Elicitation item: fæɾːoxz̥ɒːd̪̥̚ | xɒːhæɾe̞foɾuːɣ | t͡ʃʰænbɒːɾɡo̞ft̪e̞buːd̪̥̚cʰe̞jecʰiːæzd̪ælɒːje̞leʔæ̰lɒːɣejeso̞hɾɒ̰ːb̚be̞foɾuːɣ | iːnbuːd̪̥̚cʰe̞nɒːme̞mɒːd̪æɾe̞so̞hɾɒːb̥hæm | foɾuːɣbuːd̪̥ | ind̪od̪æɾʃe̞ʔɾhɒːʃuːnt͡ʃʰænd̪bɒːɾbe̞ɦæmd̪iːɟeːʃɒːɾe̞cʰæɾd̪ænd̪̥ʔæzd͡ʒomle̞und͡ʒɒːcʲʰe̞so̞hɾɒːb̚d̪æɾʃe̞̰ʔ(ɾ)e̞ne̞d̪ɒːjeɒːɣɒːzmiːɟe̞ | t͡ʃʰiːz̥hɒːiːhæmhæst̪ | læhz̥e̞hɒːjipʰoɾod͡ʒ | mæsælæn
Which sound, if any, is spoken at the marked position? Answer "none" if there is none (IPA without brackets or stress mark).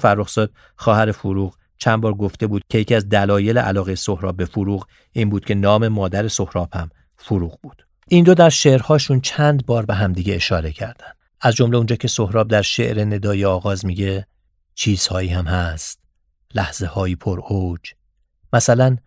ɾ